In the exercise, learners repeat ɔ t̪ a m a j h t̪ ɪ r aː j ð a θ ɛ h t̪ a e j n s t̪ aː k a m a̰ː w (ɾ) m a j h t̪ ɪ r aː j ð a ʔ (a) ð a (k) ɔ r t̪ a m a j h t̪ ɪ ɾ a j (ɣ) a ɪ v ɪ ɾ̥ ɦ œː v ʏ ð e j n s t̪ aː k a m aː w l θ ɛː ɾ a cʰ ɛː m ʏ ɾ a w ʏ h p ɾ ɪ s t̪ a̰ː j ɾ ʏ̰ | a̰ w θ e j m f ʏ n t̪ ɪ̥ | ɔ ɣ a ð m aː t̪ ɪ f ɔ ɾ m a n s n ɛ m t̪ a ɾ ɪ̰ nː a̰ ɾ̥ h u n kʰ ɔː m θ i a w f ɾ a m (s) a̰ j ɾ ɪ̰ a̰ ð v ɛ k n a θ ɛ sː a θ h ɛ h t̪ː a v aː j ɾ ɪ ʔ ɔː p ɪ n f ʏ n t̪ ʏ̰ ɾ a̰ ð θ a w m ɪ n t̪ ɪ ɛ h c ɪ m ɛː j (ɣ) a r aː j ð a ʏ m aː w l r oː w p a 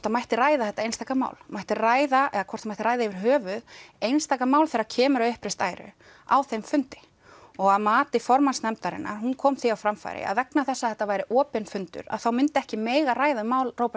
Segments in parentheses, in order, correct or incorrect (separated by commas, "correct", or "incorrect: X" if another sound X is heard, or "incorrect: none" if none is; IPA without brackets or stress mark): incorrect: l, incorrect: ɛ, incorrect: kʰ, incorrect: ð, incorrect: f, correct